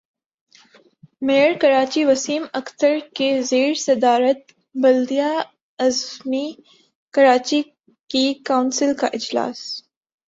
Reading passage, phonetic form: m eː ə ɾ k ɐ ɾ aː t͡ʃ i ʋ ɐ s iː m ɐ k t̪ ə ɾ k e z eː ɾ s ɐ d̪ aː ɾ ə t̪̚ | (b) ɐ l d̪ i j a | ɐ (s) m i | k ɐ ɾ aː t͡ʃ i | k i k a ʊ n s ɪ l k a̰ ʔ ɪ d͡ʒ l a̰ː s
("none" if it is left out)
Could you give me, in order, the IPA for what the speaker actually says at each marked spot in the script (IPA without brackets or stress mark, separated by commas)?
b, z